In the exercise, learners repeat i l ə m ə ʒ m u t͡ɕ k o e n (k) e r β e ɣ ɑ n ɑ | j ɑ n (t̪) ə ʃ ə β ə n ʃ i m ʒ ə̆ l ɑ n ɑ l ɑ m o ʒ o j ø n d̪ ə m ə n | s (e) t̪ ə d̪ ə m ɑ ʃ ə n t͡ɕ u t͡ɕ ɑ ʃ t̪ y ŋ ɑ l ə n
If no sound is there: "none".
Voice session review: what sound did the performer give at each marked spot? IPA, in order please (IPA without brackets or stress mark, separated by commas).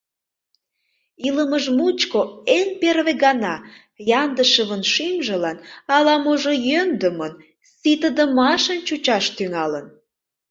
p, d̪, i